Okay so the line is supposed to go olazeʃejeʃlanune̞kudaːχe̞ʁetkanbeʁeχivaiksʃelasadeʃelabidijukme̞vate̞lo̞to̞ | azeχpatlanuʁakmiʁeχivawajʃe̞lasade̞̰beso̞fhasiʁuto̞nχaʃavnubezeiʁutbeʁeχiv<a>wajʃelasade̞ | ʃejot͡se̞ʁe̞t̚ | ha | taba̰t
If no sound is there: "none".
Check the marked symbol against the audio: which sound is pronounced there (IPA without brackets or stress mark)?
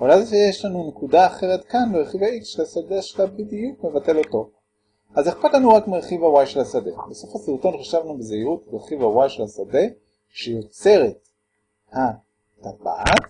a